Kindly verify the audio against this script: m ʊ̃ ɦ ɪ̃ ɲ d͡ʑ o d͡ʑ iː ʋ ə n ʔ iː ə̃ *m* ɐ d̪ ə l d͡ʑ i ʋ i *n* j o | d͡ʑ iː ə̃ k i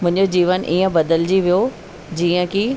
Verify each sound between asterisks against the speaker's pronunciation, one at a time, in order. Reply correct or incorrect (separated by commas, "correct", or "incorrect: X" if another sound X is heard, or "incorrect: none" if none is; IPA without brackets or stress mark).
incorrect: b, incorrect: none